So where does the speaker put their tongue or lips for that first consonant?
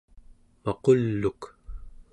lips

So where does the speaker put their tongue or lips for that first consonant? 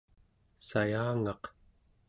tongue tip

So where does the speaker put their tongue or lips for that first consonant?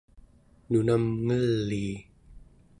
tongue tip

